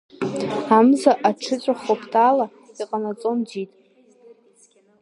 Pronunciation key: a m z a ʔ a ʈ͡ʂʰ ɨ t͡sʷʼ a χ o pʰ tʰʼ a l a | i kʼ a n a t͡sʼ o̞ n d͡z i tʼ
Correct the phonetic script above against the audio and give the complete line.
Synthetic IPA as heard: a m z a ʔ a ʈ͡ʂʰ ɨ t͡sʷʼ a χ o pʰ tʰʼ a l a | i qʼ a n a t͡sʼ o̞ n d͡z i tʼ